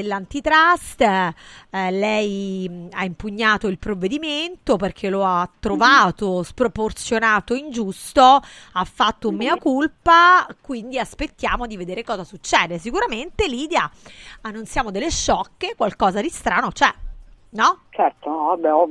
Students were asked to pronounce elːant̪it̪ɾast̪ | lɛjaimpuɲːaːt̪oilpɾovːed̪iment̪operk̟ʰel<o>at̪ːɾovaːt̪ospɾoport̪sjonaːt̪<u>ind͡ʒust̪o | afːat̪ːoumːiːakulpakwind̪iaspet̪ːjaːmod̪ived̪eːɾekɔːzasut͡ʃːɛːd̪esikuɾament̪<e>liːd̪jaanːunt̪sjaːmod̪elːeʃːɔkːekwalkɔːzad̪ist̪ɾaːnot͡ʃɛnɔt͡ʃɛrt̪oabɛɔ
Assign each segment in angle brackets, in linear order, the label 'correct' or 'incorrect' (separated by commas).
correct, incorrect, correct